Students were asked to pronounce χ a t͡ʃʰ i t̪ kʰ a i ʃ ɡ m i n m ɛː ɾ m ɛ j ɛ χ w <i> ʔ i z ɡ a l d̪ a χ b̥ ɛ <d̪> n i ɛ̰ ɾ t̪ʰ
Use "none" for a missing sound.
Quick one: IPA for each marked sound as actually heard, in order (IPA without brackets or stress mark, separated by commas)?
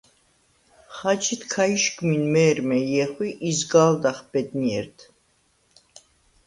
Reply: i, d̪